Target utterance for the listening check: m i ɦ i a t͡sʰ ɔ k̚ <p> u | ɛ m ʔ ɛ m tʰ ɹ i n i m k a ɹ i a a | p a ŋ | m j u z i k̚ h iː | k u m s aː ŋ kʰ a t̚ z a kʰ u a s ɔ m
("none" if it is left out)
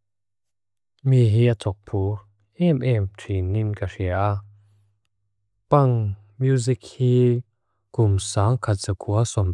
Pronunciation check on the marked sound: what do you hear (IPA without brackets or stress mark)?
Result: pʰ